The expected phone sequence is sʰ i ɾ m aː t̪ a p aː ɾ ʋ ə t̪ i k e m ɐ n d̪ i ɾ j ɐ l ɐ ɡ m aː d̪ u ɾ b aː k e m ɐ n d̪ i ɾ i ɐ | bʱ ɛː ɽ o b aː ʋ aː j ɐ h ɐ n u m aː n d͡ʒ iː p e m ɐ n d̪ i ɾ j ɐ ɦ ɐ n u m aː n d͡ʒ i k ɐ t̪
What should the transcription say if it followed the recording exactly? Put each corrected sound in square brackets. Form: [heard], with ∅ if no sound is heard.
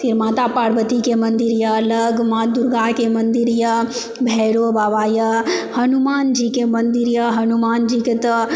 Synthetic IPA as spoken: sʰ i ɾ m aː t̪ a p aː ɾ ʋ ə t̪ i k e m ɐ n d̪ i ɾ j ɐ l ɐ ɡ m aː d̪ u ɾ [ɡ] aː k e m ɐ n d̪ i ɾ [j] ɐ | bʱ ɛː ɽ o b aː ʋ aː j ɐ h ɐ n u m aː n d͡ʒ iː [k] e m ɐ n d̪ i ɾ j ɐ ɦ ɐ n u m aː n d͡ʒ i k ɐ t̪